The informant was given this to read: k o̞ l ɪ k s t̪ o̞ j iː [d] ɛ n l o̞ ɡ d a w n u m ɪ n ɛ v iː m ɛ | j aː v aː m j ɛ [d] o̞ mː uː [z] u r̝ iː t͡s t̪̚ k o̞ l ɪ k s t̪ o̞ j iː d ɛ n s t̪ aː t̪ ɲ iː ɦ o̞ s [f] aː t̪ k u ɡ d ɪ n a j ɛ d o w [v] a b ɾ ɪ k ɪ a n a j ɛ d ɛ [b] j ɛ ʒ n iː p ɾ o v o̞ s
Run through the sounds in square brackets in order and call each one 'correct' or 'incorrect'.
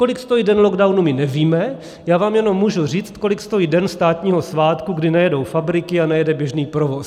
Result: correct, incorrect: n, incorrect: ʒ, incorrect: v, incorrect: f, correct

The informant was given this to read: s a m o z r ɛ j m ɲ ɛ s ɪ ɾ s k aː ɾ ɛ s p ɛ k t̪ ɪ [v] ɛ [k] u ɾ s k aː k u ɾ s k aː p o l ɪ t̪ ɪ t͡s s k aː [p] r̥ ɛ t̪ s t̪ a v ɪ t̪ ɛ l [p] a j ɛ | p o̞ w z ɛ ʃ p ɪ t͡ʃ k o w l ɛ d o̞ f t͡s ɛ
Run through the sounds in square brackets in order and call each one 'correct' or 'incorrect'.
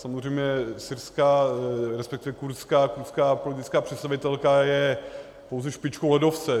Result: correct, correct, correct, incorrect: k

